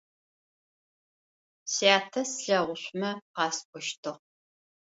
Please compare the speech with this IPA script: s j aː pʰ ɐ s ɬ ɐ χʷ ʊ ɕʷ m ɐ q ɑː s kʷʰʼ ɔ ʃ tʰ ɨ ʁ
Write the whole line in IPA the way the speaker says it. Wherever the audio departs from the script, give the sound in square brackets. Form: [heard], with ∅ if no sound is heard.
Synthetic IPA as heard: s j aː [tʰ] ɐ s ɬ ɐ [ʁʷ] ʊ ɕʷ m ɐ q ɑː s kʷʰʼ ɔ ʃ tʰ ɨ ʁ